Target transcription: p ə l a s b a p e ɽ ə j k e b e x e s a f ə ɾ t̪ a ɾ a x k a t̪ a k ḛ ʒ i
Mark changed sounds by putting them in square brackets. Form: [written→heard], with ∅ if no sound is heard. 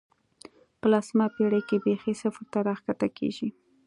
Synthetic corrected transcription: p ə l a s [b→m] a p e ɽ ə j k e b e x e s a f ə ɾ t̪ a ɾ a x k a t̪ a k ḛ ʒ i